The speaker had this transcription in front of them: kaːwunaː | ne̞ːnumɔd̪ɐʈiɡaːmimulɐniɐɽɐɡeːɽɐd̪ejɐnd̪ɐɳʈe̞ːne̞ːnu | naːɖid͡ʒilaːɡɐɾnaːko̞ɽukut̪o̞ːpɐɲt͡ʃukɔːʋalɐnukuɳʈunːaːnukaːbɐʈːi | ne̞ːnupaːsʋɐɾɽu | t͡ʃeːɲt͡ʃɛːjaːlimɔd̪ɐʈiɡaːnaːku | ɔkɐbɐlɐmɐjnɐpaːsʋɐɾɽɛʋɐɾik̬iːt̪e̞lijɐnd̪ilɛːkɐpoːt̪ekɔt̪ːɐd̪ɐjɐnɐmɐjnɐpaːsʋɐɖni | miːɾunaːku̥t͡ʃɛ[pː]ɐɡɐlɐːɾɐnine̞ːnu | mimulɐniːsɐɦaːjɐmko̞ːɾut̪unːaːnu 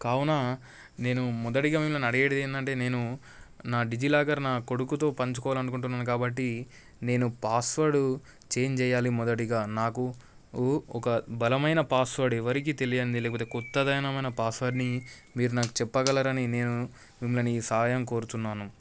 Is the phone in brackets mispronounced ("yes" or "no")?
no